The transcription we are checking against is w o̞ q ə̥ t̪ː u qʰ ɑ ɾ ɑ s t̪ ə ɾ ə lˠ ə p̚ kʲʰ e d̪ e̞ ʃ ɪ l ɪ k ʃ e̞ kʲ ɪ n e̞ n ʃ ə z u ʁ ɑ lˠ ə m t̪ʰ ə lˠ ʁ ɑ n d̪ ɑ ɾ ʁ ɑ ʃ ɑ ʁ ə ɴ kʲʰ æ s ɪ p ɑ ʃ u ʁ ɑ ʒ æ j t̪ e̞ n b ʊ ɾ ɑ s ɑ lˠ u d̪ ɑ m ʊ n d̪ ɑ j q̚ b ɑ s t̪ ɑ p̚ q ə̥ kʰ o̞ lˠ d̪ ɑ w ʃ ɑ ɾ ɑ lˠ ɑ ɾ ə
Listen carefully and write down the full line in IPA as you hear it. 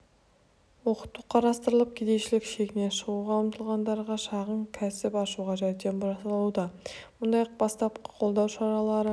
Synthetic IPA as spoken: w o̞ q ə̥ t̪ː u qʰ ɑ ɾ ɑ s t̪ ə ɾ ə lˠ ə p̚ kʲʰ e d̪ e̞ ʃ ɪ l ɪ k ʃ e̞ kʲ ɪ n e̞ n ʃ ə ʁ u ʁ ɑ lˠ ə m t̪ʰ ə lˠ ʁ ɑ n d̪ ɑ ɾ ʁ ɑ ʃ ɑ ʁ ə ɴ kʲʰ æ s ɪ p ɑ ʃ u ʁ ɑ ʒ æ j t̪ e̞ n b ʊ ɾ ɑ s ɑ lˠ u d̪ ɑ m ʊ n d̪ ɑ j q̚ b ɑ s t̪ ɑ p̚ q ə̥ qʰ o̞ lˠ d̪ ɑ w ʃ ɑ ɾ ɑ lˠ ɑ ɾ ə